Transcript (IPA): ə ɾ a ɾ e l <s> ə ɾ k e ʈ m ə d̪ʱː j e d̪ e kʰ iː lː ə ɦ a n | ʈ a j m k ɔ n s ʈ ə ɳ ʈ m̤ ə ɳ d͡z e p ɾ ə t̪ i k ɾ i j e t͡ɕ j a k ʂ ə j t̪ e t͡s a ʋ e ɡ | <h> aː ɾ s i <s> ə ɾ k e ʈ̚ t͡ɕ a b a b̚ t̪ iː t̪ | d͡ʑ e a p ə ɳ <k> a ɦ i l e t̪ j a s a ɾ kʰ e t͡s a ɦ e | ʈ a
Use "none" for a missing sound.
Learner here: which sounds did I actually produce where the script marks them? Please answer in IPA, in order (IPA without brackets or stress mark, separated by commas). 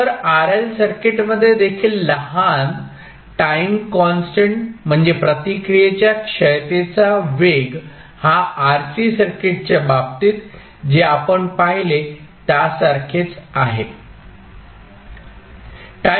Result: s, h, s, p